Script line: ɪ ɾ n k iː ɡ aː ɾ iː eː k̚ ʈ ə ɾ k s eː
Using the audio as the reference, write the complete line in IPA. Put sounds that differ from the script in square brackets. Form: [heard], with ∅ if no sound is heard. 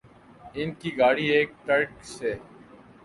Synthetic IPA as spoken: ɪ [∅] n k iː ɡ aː [ɽ] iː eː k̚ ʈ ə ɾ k s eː